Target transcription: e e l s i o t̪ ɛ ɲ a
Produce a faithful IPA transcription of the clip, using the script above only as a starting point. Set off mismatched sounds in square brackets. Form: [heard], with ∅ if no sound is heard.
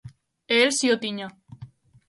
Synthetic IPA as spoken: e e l s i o t̪ [i] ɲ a